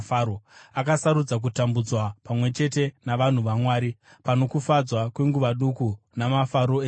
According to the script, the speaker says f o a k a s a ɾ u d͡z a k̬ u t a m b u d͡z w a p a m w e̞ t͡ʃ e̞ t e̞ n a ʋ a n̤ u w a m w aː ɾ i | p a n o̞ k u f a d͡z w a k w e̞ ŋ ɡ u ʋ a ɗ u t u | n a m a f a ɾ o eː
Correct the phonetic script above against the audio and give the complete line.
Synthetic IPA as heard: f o a k a s a ɾ u d͡z a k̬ u t a m b u d͡z w a p a m w e̞ t͡ʃ e̞ t e̞ n a ʋ a n̤ u ʋ a m w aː ɾ i | p a n o̞ k u f a d͡z w a k w e̞ ŋ ɡ u ʋ a ɗ u k u | n a m a f a ɾ o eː